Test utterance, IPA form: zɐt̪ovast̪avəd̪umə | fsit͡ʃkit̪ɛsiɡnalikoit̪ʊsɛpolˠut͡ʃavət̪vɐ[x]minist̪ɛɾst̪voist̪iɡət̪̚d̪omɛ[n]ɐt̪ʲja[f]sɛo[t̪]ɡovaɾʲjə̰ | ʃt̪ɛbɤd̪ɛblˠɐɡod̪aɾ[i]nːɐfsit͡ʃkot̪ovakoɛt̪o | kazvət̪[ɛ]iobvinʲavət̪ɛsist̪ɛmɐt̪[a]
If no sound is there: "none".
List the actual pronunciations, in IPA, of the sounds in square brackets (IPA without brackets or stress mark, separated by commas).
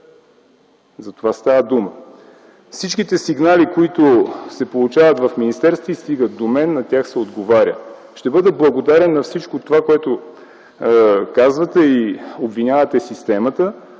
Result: f, nː, x, d̪, ɛ, ɛ, ə